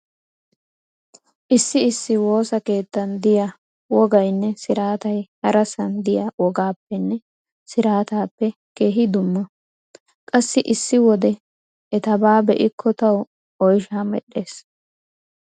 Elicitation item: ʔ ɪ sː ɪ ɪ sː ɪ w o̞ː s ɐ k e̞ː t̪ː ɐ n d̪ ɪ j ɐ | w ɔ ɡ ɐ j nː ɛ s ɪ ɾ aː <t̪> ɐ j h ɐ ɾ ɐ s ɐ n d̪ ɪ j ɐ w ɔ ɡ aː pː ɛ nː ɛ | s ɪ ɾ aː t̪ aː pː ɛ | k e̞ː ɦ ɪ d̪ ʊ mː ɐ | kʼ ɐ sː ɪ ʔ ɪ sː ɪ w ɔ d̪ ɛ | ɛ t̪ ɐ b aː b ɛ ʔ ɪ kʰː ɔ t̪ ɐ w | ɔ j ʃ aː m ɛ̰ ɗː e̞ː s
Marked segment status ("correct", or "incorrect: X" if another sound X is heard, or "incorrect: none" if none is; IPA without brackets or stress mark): correct